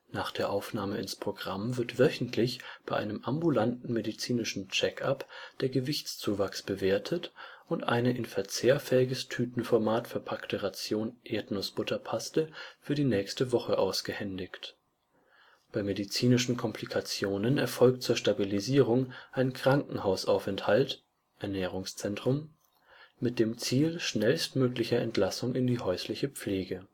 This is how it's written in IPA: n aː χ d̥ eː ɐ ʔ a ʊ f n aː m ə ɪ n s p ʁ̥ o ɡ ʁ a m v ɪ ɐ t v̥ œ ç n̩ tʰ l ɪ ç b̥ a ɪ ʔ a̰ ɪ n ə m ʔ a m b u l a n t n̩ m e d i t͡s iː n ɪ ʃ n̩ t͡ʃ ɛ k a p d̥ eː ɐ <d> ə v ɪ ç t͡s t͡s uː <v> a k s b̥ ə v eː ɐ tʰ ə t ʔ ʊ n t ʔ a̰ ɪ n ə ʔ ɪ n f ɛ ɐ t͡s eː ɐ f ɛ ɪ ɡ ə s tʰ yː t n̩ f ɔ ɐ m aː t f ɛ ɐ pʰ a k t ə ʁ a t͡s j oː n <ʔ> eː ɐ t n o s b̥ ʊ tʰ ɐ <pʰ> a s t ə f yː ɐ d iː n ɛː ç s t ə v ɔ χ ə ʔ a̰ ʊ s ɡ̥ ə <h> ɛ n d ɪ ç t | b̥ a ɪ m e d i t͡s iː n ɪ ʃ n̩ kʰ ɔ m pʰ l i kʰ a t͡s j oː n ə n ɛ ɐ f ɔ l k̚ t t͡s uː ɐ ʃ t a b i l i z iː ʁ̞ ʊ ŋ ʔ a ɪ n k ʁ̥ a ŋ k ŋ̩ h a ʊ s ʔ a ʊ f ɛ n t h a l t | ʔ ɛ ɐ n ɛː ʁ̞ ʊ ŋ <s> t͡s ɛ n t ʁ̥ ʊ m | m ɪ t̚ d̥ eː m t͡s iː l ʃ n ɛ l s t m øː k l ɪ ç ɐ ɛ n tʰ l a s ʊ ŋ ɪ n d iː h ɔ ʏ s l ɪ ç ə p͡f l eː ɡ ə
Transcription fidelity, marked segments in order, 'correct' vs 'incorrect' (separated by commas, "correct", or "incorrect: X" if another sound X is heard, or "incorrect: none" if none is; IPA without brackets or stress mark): incorrect: ɡ, correct, correct, correct, correct, correct